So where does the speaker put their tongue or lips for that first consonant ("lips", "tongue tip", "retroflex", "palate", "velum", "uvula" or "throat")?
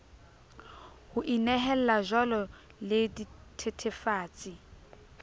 throat